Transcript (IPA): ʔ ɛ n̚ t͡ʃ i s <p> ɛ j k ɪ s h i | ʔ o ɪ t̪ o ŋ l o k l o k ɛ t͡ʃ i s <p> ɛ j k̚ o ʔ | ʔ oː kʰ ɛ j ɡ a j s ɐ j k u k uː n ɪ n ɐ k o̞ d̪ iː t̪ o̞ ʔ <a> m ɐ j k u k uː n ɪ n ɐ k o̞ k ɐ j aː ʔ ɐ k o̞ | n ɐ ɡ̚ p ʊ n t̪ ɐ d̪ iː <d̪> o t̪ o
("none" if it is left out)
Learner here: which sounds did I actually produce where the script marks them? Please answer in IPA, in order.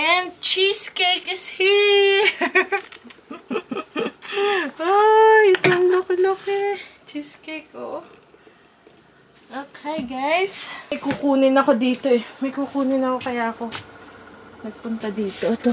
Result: k, k, ɛ, t̪

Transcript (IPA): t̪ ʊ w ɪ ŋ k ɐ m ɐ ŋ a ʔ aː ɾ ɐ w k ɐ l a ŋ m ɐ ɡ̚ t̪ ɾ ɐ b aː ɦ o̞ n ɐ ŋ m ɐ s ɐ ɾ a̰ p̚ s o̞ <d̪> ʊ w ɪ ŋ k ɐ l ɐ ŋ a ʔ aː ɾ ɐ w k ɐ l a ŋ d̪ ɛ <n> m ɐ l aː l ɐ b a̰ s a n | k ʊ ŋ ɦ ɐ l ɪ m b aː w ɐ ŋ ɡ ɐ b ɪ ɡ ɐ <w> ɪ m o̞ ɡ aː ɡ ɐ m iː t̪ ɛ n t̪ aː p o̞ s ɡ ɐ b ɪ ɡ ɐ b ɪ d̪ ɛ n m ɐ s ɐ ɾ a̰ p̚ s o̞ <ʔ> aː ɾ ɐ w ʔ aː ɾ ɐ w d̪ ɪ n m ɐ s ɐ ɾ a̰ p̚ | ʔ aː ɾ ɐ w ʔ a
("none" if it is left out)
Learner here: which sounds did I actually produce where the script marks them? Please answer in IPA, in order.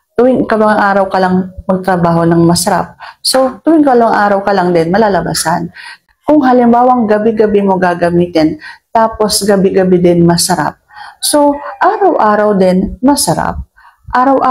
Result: t̪, n, b, ʔ

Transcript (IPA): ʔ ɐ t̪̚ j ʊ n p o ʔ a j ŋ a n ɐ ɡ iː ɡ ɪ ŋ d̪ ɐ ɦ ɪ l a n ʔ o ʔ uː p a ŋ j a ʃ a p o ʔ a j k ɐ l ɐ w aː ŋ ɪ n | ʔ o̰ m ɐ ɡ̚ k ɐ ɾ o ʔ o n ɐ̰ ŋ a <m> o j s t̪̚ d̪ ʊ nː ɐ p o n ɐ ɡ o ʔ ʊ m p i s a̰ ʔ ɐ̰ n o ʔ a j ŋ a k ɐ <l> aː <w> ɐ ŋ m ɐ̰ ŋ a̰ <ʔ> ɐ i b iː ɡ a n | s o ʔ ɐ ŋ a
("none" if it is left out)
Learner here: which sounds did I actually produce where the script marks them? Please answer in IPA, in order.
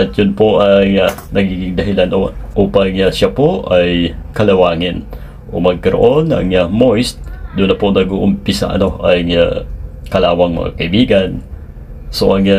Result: m, l, w, k

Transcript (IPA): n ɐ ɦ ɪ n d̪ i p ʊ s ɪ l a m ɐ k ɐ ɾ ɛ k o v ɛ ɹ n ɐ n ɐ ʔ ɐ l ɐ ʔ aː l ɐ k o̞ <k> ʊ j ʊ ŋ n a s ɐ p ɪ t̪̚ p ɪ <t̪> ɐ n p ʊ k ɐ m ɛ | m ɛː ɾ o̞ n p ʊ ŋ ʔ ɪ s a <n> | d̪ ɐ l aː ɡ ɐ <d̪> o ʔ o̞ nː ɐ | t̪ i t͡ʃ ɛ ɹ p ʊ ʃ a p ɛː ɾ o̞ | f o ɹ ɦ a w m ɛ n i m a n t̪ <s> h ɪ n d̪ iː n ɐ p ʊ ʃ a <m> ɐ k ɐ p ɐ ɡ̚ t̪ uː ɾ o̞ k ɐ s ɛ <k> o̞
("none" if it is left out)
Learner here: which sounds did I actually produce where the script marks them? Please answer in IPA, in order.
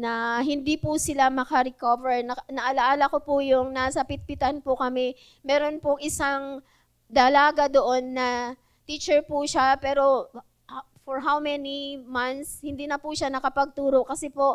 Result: p, t̪, ŋ, d̪, s, n, p

